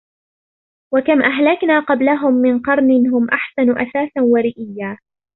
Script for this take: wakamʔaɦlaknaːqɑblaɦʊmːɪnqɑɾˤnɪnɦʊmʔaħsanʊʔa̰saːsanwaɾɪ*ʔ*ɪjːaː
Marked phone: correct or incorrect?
correct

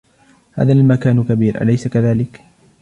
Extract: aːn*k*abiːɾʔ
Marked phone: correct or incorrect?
correct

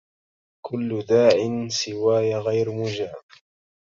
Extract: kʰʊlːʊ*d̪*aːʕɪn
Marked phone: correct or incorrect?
correct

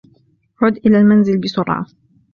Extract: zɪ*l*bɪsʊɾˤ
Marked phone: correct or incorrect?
correct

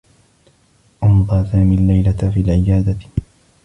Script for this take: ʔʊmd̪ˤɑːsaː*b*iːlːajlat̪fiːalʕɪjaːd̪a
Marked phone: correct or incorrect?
incorrect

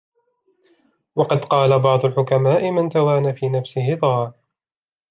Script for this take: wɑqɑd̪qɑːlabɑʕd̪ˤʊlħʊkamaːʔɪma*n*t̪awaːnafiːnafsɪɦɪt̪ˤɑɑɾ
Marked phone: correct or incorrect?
correct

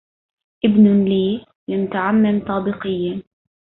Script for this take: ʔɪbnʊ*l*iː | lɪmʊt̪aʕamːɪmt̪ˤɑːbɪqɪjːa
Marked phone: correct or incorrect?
correct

